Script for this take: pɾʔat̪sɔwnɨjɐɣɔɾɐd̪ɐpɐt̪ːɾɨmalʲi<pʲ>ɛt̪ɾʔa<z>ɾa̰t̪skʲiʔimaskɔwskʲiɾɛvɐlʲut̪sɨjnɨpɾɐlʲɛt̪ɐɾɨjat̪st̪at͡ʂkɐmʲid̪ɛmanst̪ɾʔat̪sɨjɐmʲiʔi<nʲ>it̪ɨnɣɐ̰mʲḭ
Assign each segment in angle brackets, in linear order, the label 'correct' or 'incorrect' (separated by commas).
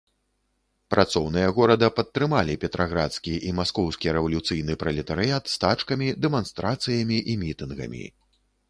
correct, incorrect, incorrect